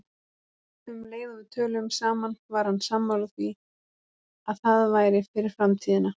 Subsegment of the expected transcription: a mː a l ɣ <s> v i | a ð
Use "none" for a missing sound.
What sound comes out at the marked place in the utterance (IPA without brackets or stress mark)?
θ